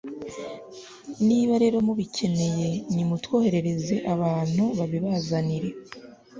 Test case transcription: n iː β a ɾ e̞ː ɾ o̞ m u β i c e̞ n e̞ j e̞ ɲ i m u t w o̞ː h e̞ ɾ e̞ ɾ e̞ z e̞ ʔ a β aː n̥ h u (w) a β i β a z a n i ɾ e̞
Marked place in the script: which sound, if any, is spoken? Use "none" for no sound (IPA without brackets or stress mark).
β